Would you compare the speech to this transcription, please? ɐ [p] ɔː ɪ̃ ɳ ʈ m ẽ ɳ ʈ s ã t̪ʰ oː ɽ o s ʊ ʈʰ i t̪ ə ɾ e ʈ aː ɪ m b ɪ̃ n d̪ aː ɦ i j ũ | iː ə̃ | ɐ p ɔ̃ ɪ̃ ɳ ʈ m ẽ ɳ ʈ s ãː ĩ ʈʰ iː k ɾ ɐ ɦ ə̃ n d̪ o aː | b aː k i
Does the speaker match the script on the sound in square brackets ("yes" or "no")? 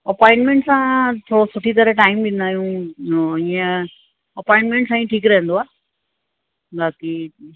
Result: yes